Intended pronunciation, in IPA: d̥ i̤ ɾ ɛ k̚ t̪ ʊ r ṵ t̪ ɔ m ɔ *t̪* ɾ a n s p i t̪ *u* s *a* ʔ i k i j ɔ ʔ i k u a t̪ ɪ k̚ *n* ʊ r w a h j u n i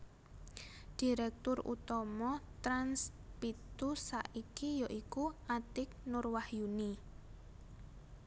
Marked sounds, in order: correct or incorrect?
correct, correct, correct, correct

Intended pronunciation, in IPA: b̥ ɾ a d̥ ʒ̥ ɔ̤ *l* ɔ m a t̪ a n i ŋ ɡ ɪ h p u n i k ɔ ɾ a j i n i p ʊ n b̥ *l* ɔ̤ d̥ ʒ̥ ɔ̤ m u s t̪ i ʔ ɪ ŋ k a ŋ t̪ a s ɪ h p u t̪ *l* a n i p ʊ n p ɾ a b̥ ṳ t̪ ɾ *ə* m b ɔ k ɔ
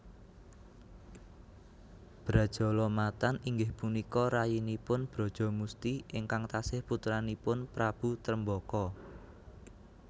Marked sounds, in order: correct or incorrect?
correct, incorrect, incorrect, correct

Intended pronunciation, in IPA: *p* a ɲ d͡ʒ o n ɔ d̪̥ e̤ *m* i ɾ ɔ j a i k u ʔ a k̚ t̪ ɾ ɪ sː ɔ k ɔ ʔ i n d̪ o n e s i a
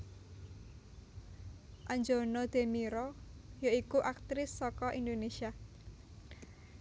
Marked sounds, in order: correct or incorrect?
incorrect, correct

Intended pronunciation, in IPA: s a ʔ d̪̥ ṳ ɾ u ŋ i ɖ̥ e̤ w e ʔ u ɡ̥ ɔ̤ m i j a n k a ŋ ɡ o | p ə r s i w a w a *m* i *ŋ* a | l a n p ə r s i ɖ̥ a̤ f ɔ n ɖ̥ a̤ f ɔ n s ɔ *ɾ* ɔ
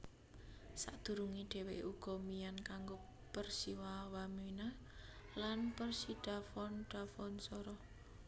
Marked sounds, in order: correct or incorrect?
correct, incorrect, correct

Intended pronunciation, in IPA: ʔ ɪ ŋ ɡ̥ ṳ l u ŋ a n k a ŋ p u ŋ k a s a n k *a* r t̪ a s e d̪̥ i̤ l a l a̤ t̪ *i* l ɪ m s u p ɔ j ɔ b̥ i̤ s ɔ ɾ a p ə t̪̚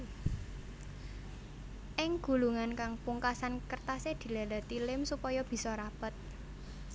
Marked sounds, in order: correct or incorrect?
incorrect, correct

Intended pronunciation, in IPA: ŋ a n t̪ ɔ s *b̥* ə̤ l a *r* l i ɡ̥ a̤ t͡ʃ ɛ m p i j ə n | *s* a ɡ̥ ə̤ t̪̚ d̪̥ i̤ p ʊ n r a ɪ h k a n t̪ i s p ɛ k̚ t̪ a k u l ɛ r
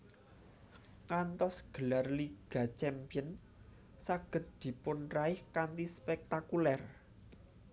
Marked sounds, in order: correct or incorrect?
incorrect, correct, correct

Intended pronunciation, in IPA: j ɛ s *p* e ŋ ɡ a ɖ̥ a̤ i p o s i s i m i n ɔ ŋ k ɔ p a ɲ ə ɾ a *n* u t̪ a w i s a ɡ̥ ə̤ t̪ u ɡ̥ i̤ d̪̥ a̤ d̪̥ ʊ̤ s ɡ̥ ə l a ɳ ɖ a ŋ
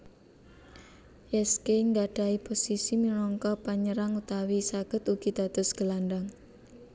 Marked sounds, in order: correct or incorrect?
incorrect, incorrect

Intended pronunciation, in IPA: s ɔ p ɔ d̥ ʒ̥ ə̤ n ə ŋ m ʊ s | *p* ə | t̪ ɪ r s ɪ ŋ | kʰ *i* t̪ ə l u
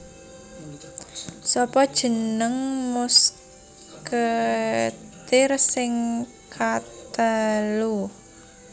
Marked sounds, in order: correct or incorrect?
incorrect, incorrect

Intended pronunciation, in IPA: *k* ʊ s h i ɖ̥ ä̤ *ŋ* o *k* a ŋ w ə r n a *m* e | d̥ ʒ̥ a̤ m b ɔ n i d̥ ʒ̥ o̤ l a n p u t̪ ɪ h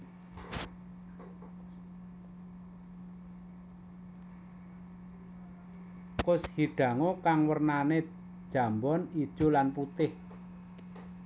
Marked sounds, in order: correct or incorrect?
correct, correct, correct, incorrect

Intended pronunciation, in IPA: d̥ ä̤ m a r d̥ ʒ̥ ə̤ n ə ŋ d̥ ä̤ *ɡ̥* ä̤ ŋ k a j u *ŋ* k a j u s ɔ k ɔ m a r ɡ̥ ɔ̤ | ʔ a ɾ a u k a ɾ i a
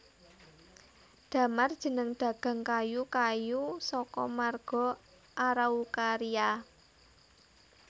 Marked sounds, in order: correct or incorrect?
correct, incorrect

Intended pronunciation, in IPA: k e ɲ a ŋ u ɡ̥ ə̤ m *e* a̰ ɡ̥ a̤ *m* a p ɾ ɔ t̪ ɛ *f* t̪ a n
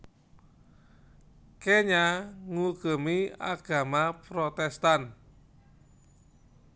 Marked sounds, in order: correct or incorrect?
incorrect, correct, incorrect

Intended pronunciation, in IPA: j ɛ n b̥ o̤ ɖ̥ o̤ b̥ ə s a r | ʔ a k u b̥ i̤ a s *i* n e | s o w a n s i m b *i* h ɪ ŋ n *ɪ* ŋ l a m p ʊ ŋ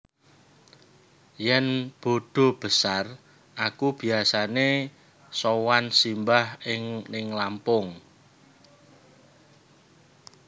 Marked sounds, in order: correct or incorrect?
incorrect, incorrect, correct

